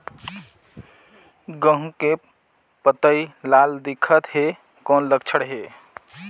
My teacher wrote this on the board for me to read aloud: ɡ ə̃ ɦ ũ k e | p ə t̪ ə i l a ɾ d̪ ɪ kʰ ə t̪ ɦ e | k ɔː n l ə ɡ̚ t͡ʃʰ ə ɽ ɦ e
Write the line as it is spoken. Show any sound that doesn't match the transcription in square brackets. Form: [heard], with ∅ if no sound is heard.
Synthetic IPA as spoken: ɡ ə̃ ɦ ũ k e | p ə t̪ ə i l a [l] d̪ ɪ kʰ ə t̪ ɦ e | k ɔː n l ə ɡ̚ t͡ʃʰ ə ɽ ɦ e